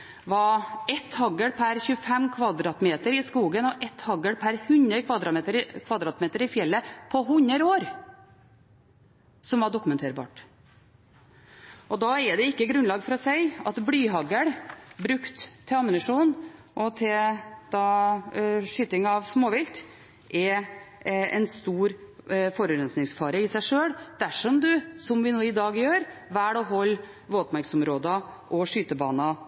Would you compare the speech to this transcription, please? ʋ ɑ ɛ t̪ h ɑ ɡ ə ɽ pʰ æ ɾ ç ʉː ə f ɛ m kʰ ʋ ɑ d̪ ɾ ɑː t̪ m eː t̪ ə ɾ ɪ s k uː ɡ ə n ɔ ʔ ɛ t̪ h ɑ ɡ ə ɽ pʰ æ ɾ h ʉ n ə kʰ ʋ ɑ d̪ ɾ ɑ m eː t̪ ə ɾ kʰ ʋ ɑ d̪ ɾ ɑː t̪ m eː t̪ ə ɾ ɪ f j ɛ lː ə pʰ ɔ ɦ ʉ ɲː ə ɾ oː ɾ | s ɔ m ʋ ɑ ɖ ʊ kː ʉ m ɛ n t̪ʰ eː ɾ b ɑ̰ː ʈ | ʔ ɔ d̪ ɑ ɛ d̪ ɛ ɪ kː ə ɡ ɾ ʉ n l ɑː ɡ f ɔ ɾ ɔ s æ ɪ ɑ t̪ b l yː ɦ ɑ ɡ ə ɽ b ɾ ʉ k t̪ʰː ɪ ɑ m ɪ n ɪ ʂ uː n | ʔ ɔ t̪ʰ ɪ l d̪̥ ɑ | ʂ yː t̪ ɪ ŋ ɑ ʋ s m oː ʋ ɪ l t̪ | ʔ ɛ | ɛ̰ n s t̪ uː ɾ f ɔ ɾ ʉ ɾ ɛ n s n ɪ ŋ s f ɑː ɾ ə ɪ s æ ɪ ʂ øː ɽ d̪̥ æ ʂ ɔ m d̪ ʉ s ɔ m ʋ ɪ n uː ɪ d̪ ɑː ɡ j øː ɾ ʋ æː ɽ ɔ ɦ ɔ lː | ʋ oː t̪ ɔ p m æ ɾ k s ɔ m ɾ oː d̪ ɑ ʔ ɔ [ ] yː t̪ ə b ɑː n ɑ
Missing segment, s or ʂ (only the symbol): ʂ